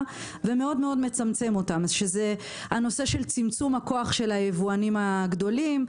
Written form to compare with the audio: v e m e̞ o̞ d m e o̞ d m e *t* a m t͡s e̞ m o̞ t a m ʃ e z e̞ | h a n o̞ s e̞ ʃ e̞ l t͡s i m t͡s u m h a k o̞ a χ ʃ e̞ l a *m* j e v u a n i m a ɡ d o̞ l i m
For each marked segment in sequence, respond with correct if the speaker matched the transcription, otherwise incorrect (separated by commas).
incorrect, incorrect